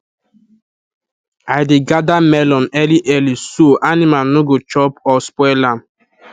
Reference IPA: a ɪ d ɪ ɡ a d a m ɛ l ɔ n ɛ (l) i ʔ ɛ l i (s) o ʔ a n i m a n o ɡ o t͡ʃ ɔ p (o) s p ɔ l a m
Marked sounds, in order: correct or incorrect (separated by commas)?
correct, correct, incorrect